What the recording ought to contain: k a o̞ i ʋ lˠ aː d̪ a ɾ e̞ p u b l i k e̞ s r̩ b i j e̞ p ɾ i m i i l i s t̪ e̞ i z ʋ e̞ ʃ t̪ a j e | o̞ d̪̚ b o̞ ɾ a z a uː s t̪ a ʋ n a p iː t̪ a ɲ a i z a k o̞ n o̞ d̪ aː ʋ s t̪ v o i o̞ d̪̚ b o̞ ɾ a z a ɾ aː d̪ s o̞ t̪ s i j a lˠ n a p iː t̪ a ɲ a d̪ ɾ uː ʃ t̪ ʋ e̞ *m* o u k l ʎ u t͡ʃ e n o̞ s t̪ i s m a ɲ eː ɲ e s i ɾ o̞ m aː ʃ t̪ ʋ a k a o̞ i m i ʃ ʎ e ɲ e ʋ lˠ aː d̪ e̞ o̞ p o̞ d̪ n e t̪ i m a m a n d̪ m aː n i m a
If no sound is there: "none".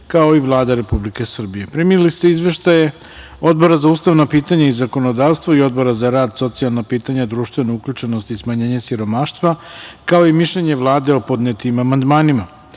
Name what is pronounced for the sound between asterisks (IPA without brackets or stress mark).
n